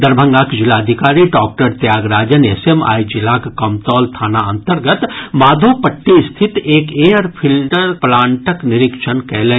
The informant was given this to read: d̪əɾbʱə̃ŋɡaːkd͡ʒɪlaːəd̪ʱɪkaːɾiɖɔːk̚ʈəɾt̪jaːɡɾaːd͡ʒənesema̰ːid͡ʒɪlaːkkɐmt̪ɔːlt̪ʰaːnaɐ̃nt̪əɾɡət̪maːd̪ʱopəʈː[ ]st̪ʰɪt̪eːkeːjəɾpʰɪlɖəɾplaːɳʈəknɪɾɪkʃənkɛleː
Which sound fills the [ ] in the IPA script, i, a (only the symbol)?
i